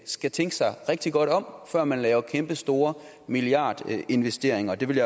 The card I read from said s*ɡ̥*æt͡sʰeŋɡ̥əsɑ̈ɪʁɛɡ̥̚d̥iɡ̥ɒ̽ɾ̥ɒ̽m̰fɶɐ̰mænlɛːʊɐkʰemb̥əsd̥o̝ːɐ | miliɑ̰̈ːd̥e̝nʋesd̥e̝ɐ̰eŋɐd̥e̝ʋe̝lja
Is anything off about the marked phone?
no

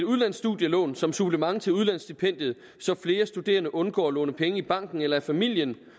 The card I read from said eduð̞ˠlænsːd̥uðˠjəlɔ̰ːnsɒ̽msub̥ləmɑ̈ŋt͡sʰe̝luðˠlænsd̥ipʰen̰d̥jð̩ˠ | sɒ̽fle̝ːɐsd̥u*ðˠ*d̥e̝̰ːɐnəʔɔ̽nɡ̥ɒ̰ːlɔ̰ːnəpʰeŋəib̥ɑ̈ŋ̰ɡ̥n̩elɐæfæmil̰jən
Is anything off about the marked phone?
yes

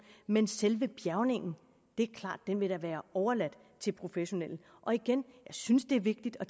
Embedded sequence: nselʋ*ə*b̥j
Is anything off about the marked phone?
no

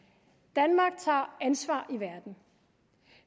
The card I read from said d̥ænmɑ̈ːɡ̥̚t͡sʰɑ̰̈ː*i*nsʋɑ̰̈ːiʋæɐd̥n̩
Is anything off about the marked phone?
yes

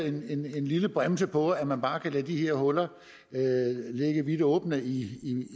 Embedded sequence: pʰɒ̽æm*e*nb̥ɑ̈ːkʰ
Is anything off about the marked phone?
yes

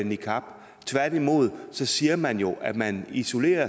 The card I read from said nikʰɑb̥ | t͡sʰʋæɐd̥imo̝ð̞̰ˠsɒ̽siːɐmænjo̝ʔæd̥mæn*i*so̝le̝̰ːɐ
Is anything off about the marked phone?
no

